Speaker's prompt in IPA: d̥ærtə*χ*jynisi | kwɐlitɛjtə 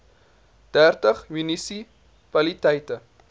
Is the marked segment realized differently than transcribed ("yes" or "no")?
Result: no